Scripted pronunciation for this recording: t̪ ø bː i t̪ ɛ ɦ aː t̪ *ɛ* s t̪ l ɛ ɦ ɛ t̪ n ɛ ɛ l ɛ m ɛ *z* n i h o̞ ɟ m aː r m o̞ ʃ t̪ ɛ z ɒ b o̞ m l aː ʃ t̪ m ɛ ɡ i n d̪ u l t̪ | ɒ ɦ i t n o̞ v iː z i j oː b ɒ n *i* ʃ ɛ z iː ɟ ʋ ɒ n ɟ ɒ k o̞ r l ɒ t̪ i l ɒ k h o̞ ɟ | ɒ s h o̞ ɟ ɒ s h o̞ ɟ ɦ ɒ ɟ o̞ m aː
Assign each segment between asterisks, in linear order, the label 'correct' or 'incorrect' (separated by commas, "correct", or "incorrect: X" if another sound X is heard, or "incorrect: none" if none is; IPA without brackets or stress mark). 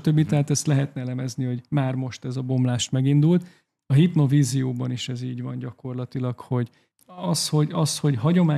correct, correct, correct